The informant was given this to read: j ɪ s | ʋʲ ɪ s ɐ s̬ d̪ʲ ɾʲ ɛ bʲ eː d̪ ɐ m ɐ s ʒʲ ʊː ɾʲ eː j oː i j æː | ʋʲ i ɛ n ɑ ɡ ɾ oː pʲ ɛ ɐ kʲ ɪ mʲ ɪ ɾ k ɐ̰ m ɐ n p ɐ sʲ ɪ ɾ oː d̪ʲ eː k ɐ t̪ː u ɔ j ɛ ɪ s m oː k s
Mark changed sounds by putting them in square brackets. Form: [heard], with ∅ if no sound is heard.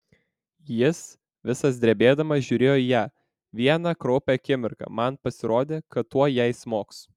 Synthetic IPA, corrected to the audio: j ɪ s | ʋʲ ɪ s ɐ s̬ d̪ʲ ɾʲ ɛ bʲ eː d̪ ɐ m ɐ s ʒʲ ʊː ɾʲ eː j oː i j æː | ʋʲ i ɛ n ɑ [k] ɾ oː pʲ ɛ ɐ kʲ ɪ mʲ ɪ ɾ k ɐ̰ m ɐ n p ɐ sʲ ɪ ɾ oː d̪ʲ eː k ɐ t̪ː u ɔ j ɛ ɪ s m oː k s